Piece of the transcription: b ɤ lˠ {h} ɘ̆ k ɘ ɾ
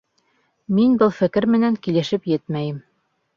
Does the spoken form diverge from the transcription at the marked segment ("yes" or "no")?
yes